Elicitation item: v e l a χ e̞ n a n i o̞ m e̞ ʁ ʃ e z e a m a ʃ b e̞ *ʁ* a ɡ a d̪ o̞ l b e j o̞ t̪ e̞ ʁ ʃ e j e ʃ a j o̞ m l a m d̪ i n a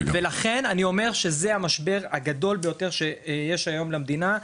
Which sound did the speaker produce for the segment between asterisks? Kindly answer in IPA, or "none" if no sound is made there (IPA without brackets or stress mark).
ʁ